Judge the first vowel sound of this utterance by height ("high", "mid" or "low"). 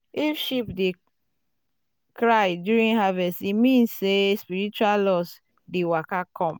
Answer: high